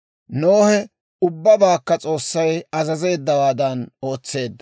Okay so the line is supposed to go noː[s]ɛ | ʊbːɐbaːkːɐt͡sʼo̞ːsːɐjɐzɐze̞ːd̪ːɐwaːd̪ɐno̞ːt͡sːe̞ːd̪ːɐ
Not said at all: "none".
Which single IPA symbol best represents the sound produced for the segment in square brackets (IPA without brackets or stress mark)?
h